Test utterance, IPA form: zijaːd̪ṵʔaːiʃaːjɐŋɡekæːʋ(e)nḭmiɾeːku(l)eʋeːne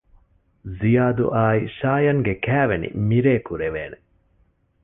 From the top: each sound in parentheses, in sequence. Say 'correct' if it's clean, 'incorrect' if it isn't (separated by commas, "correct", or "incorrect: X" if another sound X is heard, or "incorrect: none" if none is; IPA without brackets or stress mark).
correct, incorrect: ɾ